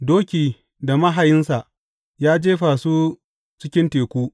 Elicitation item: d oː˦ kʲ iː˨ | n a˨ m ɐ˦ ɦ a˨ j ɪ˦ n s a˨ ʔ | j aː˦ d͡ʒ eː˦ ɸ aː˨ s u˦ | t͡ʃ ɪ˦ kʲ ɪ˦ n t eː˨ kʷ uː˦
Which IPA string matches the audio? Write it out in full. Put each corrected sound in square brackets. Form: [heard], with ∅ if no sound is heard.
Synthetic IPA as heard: d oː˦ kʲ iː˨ | [d] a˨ m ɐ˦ ɦ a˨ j ɪ˦ n s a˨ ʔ | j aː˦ d͡ʒ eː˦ ɸ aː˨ s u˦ | t͡ʃ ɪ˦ kʲ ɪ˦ n t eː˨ kʷ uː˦